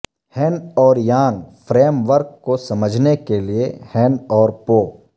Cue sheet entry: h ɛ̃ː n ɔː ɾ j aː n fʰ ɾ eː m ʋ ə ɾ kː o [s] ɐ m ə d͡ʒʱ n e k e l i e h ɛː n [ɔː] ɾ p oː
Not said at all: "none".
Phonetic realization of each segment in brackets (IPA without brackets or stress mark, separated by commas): s, ɔː